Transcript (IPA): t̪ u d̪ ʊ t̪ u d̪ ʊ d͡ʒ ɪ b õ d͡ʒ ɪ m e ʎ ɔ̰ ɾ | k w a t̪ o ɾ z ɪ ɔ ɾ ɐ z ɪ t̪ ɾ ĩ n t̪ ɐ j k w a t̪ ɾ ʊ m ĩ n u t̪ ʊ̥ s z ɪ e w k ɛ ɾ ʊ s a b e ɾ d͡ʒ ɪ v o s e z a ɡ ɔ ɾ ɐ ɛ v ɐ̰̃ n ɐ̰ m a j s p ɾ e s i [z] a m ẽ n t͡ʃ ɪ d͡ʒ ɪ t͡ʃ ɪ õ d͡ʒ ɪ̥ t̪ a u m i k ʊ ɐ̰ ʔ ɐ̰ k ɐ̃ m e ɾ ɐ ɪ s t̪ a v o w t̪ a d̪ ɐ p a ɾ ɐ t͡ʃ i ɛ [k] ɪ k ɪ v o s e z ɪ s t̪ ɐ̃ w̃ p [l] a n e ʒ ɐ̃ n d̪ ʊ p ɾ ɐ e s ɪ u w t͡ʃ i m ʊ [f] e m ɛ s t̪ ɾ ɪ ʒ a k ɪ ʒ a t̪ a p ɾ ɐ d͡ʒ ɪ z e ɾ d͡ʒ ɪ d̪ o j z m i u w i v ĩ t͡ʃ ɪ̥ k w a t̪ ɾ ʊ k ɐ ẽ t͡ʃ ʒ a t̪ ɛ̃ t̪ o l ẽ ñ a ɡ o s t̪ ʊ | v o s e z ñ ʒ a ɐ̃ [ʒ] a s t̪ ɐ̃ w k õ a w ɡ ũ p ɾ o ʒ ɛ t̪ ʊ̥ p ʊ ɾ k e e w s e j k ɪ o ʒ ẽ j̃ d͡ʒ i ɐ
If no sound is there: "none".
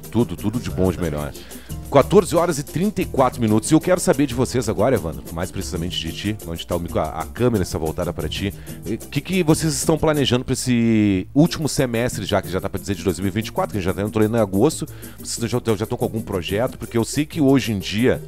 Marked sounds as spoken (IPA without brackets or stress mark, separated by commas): z, k, l, s, ʒ